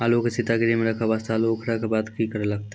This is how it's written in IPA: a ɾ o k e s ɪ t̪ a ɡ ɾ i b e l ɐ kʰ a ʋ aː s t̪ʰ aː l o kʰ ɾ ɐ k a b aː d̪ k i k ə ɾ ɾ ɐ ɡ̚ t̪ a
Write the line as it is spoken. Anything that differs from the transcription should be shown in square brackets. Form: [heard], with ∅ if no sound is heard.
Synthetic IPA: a [l] o k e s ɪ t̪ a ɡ ɾ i [m] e [ɾ] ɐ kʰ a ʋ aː s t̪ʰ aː l o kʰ ɾ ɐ k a b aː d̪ k i k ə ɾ [l] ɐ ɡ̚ t̪ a